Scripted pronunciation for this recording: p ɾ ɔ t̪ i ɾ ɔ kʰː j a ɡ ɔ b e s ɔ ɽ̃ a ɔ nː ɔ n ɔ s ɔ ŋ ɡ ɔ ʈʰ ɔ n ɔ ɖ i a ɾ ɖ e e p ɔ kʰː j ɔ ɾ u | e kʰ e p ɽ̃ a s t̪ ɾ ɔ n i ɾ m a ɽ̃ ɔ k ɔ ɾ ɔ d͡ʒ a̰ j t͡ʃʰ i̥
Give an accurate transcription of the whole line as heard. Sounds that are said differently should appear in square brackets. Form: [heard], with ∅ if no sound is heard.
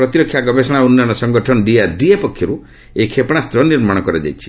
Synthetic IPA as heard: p ɾ ɔ t̪ i ɾ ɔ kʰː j a ɡ ɔ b e s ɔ ɽ̃ a [u] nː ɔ n ɔ s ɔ ŋ ɡ ɔ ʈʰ ɔ n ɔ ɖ i a ɾ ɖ [i] e p ɔ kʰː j ɔ ɾ u | e kʰ e p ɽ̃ a s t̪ ɾ ɔ n i ɾ m a ɽ̃ ɔ k ɔ ɾ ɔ d͡ʒ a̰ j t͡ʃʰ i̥